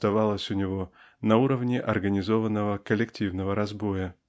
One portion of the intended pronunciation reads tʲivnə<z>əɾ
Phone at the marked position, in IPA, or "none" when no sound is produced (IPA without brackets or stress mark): v